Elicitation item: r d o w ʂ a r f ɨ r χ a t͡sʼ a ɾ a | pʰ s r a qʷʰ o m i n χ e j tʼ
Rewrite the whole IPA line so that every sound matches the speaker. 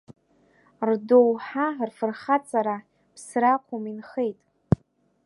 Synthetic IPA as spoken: r d o w ħ a r f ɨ r χ a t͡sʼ a ɾ a | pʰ s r a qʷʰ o m i n χ e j tʼ

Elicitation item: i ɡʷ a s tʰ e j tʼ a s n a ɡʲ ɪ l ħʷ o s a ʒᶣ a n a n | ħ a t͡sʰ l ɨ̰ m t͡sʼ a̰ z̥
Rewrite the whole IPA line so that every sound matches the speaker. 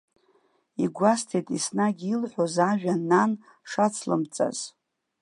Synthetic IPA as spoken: i ɡʷ a s tʰ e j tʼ i s n a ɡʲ i l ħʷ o z a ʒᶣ a n a n | ʂ a t͡sʰ l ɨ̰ m t͡sʼ a̰ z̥

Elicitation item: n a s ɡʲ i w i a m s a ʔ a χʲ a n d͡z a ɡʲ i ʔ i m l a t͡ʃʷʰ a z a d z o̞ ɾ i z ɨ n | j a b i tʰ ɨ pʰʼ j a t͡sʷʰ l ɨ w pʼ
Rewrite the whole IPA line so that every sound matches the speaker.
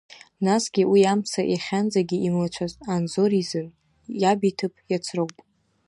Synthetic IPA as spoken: n a s ɡʲ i w i a m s a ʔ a χʲ a n d͡z a ɡʲ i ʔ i m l a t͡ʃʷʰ a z a n z o̞ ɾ i z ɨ n | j a b i tʰ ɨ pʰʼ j a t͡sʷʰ r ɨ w pʼ

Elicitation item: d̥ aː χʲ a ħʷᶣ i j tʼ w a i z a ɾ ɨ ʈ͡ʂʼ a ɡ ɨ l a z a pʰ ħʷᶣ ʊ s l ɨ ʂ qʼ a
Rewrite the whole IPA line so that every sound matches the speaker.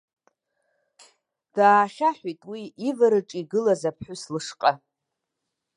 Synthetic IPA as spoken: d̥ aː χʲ a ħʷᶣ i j tʼ w i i v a ɾ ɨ ʈ͡ʂʼ i ɡ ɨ l a z a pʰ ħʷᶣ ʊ s l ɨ ʂ qʼ a

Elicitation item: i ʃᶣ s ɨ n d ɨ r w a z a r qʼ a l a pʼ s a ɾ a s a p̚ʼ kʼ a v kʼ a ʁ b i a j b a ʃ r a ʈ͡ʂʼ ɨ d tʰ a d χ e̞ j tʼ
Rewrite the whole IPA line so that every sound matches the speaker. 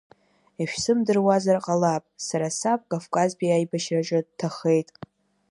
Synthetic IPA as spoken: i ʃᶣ s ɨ m d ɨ r w a z a r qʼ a l a pʼ s a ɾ a s a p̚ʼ kʼ a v kʼ a z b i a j b a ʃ r a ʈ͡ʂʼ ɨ d tʰ a χ e̞ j tʼ

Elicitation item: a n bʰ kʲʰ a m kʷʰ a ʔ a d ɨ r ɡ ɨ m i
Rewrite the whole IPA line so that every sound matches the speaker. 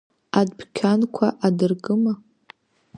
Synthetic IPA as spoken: a d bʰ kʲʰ a n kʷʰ a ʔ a d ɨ r ɡ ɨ m a

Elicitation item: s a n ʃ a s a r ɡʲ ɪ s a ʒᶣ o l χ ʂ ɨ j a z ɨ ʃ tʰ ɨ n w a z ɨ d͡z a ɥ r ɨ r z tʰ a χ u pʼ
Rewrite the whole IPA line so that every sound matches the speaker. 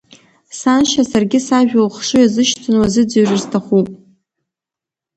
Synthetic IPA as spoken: s a n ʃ a s a r ɡʲ ɪ s a ʒᶣ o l χ ʂ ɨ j a z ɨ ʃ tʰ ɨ n w a z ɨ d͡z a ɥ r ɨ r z tʰ a χ u pʼ

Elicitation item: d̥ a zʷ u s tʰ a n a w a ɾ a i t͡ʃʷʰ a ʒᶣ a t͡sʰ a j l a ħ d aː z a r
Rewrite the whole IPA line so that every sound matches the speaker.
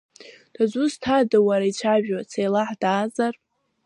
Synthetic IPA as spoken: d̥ a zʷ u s tʰ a d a w a ɾ a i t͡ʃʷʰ a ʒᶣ a t͡sʰ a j l a ħ d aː z a r

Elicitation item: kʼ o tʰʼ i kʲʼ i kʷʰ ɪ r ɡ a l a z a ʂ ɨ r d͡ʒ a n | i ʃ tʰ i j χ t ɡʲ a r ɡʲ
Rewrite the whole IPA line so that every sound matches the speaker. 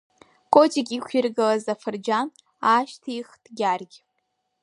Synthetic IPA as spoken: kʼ o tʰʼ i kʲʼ i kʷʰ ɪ r ɡ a l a z a f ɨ r d͡ʒ a n | a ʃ tʰ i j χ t ɡʲ a r ɡʲ

